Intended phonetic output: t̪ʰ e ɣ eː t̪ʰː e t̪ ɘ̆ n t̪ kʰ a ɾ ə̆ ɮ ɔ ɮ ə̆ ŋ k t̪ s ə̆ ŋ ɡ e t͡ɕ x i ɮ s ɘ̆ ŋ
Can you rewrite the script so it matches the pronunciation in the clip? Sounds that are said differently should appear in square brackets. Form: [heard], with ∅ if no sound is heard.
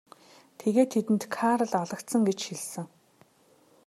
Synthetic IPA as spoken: t̪ʰ e ɣ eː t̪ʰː e t̪ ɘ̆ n t̪ kʰ a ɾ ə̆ ɮ ɔ ɮ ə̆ [∅] k t̪ s ə̆ ŋ ɡ e t͡ɕ x i ɮ s ɘ̆ ŋ